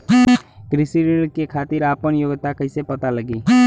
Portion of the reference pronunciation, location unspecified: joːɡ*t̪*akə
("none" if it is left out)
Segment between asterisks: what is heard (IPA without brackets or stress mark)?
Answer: t̪